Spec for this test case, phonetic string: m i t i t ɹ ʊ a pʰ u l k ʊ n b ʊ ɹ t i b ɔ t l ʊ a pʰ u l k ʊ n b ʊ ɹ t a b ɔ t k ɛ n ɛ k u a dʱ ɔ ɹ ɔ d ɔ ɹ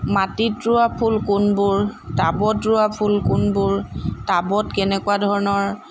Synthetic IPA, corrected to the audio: m a t i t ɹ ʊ a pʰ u l k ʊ n b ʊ ɹ t a b ɔ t ɹ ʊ a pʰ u l k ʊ n b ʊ ɹ t a b ɔ t k ɛ n ɛ k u a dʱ ɔ ɹ ɔ n ɔ ɹ